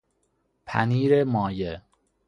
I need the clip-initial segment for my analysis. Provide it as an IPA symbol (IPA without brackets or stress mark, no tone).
pʰ